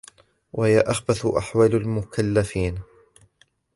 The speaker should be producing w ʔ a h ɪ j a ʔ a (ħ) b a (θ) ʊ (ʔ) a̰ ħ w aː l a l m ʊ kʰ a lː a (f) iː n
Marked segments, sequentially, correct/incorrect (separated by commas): incorrect, correct, correct, correct